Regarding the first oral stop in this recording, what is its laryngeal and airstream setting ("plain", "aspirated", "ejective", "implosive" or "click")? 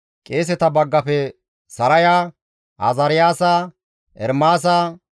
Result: ejective